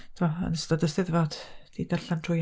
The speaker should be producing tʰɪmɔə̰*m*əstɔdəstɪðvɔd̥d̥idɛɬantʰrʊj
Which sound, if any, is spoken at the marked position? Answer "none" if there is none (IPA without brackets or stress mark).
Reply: n